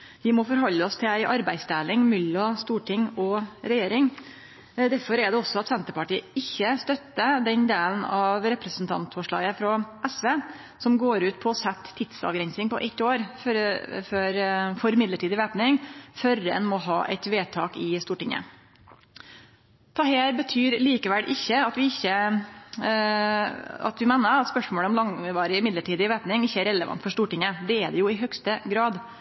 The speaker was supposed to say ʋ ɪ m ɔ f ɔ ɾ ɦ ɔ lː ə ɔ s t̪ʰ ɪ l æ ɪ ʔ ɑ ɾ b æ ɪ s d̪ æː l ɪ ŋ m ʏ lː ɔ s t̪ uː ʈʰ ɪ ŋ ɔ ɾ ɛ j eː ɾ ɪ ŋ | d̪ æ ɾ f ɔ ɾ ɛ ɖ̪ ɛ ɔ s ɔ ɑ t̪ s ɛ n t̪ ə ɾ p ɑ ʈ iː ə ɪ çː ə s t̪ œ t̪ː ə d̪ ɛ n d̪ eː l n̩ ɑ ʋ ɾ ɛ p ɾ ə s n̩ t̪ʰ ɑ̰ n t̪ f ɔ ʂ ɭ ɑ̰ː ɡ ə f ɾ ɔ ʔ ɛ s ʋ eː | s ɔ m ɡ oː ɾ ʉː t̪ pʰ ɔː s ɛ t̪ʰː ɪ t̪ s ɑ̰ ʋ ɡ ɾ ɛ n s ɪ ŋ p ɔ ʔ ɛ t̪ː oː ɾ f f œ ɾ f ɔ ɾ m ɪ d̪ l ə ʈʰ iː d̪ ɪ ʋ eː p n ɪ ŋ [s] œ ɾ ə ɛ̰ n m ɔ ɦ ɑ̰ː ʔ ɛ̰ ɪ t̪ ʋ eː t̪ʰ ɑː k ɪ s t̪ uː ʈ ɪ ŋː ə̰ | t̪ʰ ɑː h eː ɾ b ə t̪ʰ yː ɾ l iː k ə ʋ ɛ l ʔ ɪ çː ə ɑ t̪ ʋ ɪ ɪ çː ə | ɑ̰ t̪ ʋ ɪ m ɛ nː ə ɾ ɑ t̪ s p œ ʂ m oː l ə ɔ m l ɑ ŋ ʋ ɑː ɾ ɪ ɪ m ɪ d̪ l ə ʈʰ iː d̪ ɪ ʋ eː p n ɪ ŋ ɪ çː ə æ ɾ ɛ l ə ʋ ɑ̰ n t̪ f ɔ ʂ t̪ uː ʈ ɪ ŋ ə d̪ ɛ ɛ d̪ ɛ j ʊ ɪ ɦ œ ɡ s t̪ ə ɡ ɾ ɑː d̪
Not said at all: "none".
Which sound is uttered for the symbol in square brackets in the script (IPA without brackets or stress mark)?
f